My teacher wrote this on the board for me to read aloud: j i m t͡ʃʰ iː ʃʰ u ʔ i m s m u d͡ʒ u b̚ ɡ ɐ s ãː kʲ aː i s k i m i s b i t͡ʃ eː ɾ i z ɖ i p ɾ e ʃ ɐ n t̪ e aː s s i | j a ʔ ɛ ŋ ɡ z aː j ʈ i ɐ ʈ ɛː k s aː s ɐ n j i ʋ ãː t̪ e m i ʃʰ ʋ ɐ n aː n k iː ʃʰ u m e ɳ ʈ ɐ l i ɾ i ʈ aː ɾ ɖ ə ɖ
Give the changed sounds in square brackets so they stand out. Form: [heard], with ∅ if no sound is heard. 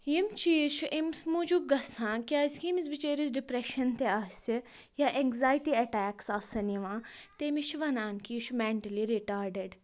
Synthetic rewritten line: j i m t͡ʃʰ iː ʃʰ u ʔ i m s m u d͡ʒ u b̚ ɡ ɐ s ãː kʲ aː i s k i m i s b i t͡ʃ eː ɾ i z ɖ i p ɾ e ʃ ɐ n t̪ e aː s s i | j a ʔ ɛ ŋ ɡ z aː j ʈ i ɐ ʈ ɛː k s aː s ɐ n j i ʋ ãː t̪ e m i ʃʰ ʋ ɐ n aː n k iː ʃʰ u m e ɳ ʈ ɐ l i ɾ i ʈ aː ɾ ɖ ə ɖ